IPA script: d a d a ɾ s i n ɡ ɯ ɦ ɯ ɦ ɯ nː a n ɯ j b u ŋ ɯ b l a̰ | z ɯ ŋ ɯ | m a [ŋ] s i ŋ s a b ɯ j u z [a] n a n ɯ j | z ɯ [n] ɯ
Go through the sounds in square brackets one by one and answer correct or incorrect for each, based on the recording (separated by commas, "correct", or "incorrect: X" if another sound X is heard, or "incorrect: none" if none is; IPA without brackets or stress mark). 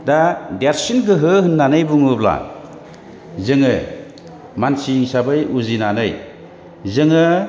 incorrect: n, incorrect: i, incorrect: ŋ